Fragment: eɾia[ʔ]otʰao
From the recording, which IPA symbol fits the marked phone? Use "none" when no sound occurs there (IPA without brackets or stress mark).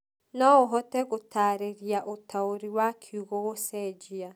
ʔ